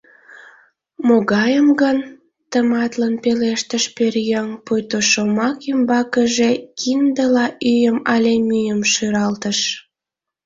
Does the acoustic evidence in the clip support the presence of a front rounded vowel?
yes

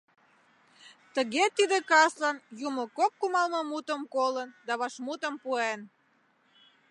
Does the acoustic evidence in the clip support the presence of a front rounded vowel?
no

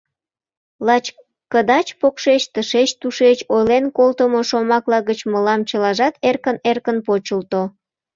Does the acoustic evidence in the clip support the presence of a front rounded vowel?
no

